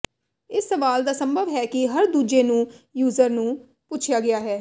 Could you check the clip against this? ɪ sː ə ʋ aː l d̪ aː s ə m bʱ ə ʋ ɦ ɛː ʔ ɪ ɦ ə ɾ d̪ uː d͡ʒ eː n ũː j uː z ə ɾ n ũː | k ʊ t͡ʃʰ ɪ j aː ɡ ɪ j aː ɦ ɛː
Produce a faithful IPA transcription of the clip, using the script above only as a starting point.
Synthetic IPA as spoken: ɪ sː ə ʋ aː l d̪ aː s ə m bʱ ə ʋ ɦ ɛː k ɪ ɦ ə ɾ d̪ uː d͡ʒ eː n ũː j uː z ə ɾ n ũː | p ʊ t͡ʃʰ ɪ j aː ɡ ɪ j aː ɦ ɛː

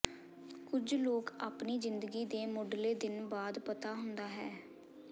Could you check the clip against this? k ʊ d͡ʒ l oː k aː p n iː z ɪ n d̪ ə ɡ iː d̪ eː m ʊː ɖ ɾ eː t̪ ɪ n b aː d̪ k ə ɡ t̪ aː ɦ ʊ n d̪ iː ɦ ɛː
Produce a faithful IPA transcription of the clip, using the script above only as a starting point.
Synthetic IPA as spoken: k ʊ d͡ʒ l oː k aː p n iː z ɪ n d̪ ə ɡ iː d̪ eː m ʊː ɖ l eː d̪ ɪ n b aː d̪ p ə t̪ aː ɦ ʊ n d̪ aː ɦ ɛː

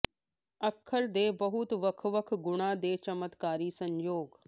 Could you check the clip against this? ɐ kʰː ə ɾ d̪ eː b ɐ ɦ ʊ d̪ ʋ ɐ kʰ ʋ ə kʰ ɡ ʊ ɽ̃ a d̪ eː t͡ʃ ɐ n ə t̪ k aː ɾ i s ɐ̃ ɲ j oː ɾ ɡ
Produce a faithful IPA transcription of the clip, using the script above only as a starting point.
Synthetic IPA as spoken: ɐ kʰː ə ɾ d̪ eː b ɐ ɦ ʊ t̪ ʋ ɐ kʰ ʋ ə kʰ ɡ ʊ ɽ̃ a d̪ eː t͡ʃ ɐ m ə t̪ k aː ɾ i s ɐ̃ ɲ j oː ɡ

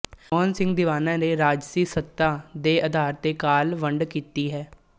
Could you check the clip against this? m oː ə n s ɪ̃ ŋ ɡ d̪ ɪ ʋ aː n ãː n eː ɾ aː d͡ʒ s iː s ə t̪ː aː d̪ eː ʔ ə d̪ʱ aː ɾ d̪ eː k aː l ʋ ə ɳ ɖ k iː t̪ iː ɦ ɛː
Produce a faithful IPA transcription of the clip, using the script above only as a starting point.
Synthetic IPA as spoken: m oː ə n s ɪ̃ ŋ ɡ d̪ ɪ ʋ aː n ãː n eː ɾ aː d͡ʒ s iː s ə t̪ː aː d̪ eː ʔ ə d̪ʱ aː ɾ t̪ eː k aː l ʋ ə ɳ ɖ k iː t̪ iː ɦ ɛː

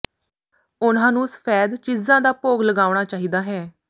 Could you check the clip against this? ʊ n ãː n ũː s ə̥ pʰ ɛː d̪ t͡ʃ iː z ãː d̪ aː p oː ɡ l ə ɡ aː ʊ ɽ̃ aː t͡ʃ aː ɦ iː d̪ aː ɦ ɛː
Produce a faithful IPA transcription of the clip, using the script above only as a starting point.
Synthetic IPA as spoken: ʊ n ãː n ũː s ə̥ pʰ ɛː d̪ t͡ʃ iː z ãː d̪ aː p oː ɡ l ə ɡ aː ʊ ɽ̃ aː t͡ʃ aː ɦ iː d̪ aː ɦ ɛː

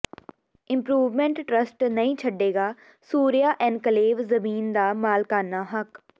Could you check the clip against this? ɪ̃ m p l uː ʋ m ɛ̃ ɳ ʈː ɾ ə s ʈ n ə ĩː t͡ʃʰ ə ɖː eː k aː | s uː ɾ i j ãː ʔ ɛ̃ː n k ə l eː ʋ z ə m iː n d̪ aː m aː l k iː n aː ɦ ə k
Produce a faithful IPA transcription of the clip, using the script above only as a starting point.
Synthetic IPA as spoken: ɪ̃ m p ɾ uː ʋ m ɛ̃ ɳ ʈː ɾ ə s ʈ n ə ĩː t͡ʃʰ ə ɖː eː ɡ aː | s uː ɾ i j aː ʔ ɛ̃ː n k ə l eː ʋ z ə m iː n d̪ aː m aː l k aː n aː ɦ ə k

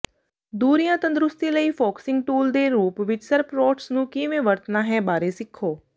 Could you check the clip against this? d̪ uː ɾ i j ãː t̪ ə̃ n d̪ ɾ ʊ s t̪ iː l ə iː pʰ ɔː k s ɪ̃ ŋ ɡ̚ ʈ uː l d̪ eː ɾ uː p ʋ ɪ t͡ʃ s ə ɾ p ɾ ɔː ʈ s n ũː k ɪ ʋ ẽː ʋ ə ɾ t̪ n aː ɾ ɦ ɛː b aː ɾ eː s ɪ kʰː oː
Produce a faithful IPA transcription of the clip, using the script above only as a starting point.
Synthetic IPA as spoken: d̪ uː ɾ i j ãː t̪ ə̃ n d̪ ɾ ʊ s t̪ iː l ə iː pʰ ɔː k s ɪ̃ ŋ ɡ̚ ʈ uː l d̪ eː ɾ uː p ʋ ɪ t͡ʃ s ə ɾ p ɾ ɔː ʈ s n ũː k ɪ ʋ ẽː ʋ ə ɾ t̪ n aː ɦ ɛː b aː ɾ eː s ɪ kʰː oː

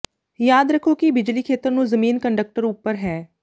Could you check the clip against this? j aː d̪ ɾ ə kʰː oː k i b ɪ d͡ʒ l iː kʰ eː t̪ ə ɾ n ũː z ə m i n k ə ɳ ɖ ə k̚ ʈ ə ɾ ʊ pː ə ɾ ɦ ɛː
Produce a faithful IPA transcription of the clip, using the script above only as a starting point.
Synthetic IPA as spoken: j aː d̪ ɾ ə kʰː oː k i b ɪ d͡ʒ l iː kʰ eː t̪ ə ɾ n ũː z ə m iː n k ə ɳ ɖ ə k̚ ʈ ə ɾ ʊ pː ə ɾ ɦ ɛː

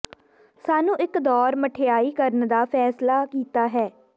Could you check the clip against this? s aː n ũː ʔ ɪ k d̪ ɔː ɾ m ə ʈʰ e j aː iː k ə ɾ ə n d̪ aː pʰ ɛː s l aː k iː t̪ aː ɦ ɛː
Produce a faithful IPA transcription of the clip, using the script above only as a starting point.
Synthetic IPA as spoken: s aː n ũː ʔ ɪ k d̪ ɔː ɾ m ə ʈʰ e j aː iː k ə ɾ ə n d̪ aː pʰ ɛː s l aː k iː t̪ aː ɦ ɛː

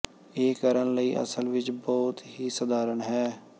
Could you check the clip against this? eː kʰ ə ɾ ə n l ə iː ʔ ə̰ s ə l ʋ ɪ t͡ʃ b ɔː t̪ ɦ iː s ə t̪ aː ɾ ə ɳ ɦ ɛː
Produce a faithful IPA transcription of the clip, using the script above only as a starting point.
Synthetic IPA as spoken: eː k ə ɾ ə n l ə iː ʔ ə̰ s ə l ʋ ɪ t͡ʃ b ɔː t̪ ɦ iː s ə d̪ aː ɾ ə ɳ ɦ ɛː

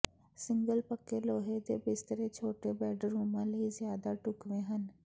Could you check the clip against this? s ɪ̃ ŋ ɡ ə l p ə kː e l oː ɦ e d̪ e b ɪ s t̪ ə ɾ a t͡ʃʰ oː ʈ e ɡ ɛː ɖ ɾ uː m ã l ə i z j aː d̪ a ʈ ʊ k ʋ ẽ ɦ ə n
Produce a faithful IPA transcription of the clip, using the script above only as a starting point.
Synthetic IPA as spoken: s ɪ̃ ŋ ɡ ə l p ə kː e l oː ɦ e d̪ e b ɪ s t̪ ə ɾ e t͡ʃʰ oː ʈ e b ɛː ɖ ɾ uː m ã l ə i z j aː d̪ a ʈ ʊ k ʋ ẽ ɦ ə n

